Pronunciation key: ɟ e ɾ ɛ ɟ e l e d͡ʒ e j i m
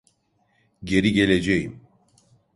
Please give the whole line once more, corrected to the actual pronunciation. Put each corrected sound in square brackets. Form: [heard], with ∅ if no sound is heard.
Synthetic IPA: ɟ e ɾ [i] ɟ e l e d͡ʒ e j i m